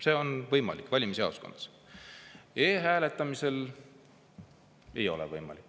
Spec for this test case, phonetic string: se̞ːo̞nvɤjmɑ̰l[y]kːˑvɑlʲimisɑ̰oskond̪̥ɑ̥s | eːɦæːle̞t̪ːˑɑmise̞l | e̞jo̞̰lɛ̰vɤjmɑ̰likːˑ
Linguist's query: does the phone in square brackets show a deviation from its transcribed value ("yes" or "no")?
yes